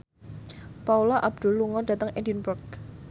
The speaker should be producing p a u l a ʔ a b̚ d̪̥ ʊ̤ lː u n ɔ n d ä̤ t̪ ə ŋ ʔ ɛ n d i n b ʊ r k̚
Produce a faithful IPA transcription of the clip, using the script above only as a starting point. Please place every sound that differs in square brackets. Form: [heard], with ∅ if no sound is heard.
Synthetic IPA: p a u l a ʔ a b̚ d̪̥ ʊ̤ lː u [ŋ] ɔ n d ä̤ t̪ ə ŋ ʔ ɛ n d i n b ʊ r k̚